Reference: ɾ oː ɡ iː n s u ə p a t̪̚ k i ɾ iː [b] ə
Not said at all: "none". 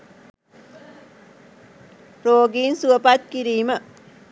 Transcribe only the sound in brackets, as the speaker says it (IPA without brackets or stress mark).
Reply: m